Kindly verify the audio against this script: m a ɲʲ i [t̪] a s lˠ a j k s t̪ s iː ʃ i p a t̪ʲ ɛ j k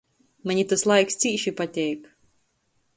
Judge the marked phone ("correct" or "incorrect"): correct